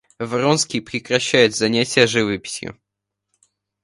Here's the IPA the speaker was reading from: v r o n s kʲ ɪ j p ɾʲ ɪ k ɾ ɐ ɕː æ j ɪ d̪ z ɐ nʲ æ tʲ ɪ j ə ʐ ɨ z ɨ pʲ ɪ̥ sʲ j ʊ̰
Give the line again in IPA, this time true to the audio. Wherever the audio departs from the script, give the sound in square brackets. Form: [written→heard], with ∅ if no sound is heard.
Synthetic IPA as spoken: v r o n s kʲ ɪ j p ɾʲ ɪ k ɾ ɐ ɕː æ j ɪ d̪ z ɐ nʲ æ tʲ ɪ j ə ʐ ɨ [z→v] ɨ pʲ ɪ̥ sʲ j ʊ̰